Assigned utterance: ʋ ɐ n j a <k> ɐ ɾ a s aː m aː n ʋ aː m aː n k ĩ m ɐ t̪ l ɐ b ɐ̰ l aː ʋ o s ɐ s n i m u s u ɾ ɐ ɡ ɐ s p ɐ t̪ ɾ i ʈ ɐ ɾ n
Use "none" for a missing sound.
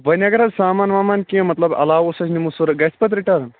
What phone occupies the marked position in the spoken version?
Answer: ɡ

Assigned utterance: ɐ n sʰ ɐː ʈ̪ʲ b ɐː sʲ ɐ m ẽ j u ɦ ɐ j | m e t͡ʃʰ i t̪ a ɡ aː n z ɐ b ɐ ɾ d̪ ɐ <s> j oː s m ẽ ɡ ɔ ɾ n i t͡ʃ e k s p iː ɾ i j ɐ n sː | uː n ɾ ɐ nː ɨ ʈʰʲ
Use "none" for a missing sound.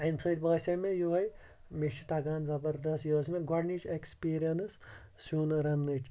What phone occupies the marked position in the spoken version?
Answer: s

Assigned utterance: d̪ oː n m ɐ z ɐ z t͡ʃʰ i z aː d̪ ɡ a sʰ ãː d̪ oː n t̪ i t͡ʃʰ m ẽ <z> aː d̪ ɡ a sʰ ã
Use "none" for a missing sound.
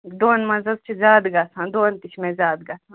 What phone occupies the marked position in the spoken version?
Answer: z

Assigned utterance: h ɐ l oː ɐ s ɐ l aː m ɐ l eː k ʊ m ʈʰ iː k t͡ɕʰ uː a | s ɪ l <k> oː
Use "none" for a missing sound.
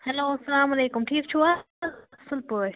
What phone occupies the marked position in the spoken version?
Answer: p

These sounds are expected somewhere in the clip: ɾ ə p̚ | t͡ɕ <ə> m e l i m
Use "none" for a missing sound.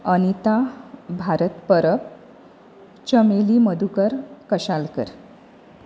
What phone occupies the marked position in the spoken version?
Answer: ə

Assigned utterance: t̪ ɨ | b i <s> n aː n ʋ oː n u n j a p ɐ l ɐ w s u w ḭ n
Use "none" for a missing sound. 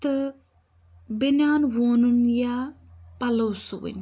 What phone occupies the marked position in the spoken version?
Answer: none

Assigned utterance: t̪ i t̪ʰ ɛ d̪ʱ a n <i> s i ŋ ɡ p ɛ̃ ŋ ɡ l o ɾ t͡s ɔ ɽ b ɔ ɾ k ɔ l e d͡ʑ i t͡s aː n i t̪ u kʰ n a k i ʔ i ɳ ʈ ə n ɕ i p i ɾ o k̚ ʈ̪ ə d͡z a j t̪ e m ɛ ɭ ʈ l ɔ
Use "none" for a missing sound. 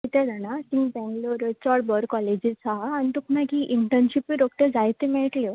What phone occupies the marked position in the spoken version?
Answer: a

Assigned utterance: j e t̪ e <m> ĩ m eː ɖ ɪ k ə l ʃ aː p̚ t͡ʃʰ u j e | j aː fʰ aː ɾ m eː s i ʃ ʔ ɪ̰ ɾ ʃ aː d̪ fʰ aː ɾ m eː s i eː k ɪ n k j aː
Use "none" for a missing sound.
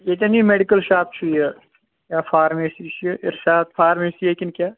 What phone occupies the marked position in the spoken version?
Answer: n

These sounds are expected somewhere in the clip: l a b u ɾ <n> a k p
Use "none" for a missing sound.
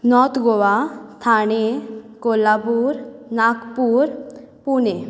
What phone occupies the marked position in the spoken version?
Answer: n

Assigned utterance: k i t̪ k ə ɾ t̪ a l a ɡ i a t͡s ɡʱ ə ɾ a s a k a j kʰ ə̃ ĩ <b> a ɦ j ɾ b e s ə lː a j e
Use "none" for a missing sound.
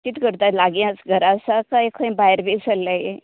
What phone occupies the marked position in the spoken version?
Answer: b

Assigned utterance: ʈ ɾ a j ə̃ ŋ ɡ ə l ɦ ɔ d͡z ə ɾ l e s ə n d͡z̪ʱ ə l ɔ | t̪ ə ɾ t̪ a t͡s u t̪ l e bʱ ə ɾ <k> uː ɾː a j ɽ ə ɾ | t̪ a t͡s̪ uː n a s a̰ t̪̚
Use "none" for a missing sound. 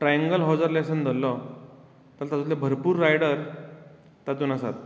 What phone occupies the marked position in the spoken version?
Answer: p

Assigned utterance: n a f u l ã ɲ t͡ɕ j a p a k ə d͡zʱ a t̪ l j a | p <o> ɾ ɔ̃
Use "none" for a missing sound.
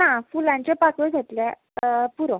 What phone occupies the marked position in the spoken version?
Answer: u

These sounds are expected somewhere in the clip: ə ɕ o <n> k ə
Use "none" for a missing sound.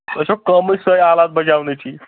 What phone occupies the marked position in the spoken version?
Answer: none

